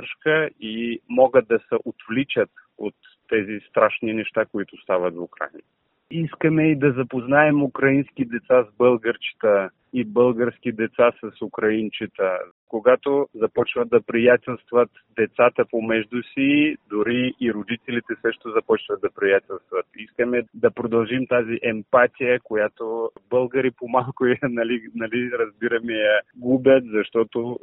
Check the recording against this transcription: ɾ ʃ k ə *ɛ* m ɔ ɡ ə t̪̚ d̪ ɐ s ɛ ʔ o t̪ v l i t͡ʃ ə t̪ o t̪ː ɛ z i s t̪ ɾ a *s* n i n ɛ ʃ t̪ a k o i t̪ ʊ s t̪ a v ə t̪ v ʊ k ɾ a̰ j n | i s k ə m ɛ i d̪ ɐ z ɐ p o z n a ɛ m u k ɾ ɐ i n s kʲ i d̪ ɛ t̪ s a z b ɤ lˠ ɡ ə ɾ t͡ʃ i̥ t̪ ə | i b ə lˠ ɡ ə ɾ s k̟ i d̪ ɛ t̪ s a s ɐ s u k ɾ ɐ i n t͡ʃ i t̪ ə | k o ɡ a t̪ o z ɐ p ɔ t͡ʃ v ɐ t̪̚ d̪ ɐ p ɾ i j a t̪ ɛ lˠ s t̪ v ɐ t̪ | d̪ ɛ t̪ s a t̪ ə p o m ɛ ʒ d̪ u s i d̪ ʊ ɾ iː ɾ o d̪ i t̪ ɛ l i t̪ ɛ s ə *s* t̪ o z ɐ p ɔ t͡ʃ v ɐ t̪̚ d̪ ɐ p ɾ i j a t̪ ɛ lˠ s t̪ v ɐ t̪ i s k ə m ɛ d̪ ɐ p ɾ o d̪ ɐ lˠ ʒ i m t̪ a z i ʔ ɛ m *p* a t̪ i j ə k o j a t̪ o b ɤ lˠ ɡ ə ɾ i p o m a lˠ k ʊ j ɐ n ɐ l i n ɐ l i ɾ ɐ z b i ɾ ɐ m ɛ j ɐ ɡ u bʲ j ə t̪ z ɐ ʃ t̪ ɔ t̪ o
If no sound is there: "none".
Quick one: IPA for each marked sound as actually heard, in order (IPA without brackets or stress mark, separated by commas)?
i, ʃ, ʃ, p